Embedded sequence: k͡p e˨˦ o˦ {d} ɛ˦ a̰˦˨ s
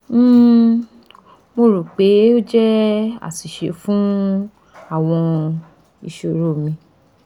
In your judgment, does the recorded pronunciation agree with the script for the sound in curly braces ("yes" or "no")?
no